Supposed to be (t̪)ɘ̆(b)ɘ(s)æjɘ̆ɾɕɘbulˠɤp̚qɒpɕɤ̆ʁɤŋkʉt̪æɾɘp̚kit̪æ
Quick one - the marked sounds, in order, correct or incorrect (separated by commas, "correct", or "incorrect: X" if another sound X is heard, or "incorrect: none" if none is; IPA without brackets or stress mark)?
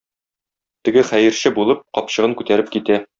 correct, incorrect: ɡ, incorrect: χ